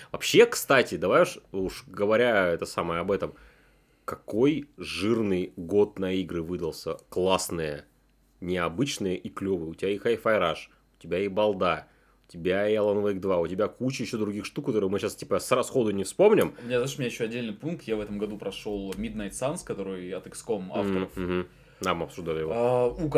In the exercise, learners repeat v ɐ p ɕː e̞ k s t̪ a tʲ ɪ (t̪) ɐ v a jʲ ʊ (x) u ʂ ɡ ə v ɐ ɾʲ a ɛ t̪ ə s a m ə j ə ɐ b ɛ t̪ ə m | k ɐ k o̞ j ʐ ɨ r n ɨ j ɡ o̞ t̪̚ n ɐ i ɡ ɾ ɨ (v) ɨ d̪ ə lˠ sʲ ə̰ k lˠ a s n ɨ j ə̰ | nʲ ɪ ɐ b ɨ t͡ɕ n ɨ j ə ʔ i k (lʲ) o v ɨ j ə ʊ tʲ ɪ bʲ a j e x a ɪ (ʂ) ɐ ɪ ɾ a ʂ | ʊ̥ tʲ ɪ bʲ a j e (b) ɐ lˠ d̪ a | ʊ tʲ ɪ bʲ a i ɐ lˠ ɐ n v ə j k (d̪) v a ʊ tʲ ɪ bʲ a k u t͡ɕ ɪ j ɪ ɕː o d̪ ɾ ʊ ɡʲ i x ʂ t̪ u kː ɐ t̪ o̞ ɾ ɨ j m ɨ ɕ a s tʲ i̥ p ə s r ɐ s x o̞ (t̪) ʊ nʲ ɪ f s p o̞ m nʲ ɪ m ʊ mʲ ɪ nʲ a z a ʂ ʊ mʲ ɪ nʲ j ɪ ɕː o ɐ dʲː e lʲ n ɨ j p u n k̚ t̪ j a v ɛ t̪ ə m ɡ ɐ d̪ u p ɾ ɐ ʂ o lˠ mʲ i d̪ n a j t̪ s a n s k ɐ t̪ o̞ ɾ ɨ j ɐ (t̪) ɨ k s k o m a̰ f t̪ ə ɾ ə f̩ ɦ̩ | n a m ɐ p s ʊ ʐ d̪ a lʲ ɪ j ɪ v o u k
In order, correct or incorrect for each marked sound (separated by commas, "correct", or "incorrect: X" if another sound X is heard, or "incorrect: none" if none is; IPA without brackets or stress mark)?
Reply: incorrect: d̪, incorrect: ʂ, correct, correct, incorrect: f, correct, correct, incorrect: d̪, correct